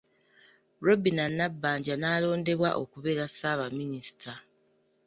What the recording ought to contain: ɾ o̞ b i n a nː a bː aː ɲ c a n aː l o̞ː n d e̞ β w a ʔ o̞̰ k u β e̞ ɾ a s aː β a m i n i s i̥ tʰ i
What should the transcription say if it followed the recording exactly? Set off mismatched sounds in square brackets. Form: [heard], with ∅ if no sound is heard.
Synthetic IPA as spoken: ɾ o̞ b i n a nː a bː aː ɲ [ɟ] a n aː l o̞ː n d e̞ β w a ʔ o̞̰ k u β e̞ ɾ a s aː β a m i n i s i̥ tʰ [a]